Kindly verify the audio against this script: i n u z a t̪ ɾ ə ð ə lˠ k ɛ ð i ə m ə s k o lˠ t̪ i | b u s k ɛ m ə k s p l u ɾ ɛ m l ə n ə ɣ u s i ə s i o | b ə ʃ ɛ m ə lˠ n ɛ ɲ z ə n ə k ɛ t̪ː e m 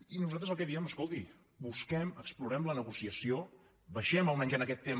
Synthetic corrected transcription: i n u z a t̪ ɾ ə z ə lˠ k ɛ ð i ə m ə s k o lˠ t̪ i | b u s k ɛ m ə k s p l u ɾ ɛ m l ə n ə ɣ u s i ə s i o | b ə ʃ ɛ m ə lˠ m ɛ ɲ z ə n ə k ɛ t̪ː e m

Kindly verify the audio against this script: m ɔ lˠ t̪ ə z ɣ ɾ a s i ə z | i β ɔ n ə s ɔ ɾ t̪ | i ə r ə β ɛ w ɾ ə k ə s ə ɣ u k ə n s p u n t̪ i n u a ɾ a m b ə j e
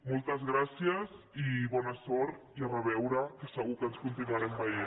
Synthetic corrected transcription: m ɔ lˠ t̪ ə z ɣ ɾ a s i ə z | i β ɔ n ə s ɔ ɾ t̪ | i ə r ə β ɛ w ɾ ə k ə s ə ɣ u k ə n s k u n t̪ i n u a ɾ ɛ m b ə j e

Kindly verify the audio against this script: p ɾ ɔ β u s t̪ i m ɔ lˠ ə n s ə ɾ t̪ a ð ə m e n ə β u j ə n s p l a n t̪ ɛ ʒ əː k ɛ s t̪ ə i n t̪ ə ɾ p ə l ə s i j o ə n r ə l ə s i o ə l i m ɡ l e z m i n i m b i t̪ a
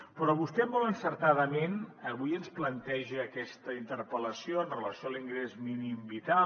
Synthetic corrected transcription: p ɾ ɔ β u s t̪ ɛ m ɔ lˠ ə n s ə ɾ t̪ a ð ə m e n ə β u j ə n s p l ə n t̪ ɛ ʒ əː k ɛ s t̪ ə i n t̪ ə ɾ p ə l ə s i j o ə n r ə l ə s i o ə l i ŋ ɡ ɾ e z m i n i m b i t̪ a

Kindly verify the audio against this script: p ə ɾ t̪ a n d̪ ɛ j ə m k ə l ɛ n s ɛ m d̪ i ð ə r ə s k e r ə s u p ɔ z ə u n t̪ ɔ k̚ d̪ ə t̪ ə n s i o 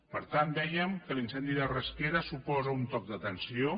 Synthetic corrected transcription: p ə ɾ t̪ a n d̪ ɛ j ə m k ə l i n s ɛ n d̪ i ð ə r ə s k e ɾ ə s u p ɔ z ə u n t̪ ɔ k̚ d̪ ə t̪ ə n s i o

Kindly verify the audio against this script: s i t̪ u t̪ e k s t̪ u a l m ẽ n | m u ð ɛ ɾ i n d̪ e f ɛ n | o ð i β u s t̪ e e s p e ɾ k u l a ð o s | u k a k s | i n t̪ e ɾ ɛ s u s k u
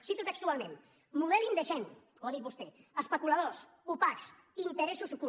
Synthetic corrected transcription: s i t̪ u t̪ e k s t̪ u a l m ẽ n | m u ð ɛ l i n d̪ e ʃ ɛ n | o ð i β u s t̪ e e s p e k u l a ð o s | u p a k s | i n t̪ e ɾ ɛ s u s k u

